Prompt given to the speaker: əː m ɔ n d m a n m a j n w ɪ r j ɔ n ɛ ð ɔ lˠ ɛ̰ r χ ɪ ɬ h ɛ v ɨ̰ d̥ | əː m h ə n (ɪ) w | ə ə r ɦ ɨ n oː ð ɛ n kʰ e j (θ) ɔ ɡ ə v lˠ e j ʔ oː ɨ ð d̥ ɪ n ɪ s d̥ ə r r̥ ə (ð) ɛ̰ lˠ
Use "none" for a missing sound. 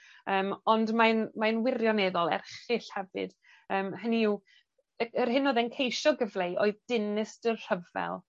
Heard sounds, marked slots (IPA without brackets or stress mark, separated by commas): i, ʃ, v